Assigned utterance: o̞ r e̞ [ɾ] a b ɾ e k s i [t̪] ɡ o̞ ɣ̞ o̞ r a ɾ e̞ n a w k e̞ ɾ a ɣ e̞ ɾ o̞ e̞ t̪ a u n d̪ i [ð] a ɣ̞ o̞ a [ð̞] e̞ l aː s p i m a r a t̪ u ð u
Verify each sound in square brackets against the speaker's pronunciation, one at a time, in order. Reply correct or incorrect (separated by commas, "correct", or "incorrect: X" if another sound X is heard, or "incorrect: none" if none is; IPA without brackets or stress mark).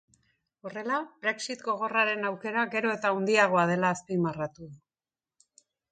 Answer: incorrect: l, correct, incorrect: none, correct